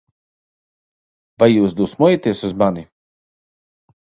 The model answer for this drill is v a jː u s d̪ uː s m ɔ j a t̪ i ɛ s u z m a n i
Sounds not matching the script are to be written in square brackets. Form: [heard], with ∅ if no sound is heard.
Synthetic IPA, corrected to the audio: v a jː [uː] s d̪ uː s m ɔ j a t̪ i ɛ s u z m a n i